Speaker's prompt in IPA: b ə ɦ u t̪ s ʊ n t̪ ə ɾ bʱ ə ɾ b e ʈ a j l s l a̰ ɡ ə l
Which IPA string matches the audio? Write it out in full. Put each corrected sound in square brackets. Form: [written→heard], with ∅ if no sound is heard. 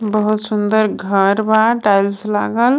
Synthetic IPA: b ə ɦ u t̪ s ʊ n [t̪→d̪] ə ɾ [bʱ→ɡʱ] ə ɾ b [e→a] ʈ a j l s l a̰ ɡ ə l